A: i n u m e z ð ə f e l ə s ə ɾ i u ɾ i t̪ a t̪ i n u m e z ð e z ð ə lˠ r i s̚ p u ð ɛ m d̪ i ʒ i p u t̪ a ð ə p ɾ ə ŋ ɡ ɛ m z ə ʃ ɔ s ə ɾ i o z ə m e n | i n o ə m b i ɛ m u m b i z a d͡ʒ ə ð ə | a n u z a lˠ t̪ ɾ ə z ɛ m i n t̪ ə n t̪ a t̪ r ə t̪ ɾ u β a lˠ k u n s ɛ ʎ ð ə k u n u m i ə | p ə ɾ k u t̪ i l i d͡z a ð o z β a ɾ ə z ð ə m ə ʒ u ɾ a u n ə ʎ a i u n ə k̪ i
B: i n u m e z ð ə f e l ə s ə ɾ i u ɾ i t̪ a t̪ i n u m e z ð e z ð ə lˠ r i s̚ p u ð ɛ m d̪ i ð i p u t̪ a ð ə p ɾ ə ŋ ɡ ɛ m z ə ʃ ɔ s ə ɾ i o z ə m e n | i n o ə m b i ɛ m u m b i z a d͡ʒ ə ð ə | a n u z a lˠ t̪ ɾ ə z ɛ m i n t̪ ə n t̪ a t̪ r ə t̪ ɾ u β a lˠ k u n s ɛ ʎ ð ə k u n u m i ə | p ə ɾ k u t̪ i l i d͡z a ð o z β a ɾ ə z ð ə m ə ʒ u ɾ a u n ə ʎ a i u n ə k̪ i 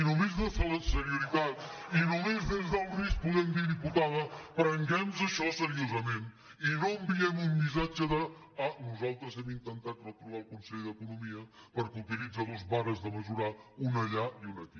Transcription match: B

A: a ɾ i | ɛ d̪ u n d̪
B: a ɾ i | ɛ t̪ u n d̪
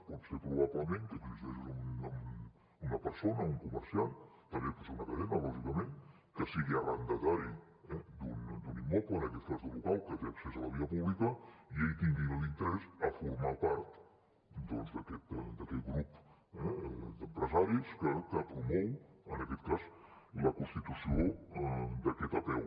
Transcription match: A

